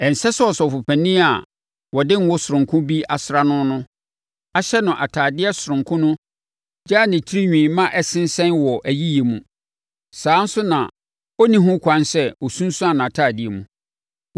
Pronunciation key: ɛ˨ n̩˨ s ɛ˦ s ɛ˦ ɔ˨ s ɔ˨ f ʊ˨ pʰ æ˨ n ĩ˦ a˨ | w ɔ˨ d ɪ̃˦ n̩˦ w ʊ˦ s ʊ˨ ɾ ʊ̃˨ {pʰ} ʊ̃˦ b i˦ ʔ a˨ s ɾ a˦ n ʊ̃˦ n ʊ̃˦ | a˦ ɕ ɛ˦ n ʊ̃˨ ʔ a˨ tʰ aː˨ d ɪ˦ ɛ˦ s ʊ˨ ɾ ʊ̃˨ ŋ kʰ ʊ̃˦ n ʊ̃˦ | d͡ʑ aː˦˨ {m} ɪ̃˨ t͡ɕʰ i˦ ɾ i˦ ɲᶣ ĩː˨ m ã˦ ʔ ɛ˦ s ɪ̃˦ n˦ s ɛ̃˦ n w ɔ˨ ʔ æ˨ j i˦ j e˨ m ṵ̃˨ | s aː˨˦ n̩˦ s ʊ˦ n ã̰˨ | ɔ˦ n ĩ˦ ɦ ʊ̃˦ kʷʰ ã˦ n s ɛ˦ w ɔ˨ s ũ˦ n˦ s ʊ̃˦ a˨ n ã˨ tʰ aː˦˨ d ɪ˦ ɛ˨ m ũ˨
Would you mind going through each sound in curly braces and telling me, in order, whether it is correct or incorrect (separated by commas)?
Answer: incorrect, incorrect